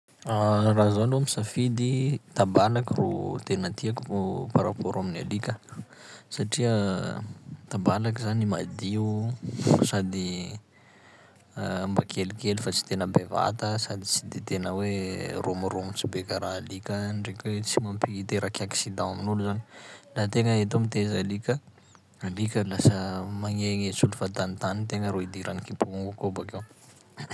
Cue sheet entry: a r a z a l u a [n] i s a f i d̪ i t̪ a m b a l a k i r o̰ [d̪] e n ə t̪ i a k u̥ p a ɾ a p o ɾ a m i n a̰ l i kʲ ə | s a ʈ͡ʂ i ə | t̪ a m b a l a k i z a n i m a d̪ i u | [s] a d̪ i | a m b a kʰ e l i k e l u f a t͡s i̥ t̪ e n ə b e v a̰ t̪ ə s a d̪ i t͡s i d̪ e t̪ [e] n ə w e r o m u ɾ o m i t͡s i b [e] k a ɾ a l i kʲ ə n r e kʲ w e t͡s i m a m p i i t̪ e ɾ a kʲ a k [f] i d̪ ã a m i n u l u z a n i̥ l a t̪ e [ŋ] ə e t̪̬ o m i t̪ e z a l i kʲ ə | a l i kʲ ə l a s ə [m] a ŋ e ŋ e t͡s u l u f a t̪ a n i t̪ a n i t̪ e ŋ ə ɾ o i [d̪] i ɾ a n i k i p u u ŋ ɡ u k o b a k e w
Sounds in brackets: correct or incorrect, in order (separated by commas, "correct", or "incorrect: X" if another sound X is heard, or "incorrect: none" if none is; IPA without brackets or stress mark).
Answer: incorrect: m, incorrect: t̪, correct, correct, correct, incorrect: s, correct, correct, correct